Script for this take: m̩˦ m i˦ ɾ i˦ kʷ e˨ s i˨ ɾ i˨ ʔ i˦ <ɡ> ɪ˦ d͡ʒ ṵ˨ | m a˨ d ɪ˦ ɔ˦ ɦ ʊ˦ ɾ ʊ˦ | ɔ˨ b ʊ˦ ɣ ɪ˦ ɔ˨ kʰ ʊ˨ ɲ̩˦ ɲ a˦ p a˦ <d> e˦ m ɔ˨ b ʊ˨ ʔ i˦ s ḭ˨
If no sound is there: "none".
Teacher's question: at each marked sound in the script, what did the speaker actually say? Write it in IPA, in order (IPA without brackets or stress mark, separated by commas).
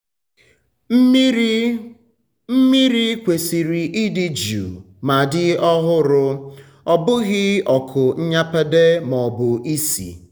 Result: d, d